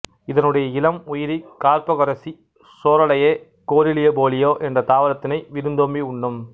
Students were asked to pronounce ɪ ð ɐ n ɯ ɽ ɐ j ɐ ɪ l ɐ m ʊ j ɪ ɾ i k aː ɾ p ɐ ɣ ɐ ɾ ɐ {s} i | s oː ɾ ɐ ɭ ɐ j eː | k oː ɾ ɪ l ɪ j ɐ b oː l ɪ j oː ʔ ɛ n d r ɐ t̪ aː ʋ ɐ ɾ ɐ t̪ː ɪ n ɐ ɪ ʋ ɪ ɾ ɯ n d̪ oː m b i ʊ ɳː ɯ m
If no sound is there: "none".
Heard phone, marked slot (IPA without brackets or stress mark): s